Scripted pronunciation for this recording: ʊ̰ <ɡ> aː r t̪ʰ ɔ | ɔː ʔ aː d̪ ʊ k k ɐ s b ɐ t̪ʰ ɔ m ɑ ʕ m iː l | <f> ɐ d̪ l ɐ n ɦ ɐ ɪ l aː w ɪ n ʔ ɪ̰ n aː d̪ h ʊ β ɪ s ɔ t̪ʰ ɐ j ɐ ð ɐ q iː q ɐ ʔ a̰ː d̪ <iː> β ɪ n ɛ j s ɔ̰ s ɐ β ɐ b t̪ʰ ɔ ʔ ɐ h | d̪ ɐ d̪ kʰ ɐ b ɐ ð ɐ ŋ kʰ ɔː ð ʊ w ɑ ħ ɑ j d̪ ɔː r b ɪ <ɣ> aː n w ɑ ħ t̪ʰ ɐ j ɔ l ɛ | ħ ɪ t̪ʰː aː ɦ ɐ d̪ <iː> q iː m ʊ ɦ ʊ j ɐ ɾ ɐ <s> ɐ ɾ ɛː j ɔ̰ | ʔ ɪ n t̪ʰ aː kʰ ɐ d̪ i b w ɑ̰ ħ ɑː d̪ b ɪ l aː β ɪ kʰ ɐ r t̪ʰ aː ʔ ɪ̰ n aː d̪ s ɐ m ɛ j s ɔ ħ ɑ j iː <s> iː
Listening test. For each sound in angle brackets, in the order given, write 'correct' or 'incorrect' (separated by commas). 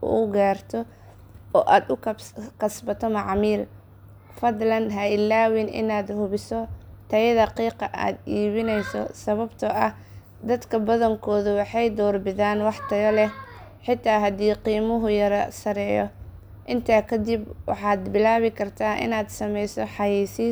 correct, correct, correct, incorrect, correct, correct, correct